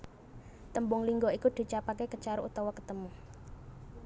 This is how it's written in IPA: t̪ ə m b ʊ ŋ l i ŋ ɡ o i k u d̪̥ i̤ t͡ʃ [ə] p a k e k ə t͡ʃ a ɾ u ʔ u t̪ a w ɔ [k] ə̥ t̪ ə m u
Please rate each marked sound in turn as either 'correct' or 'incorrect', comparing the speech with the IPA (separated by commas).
incorrect, correct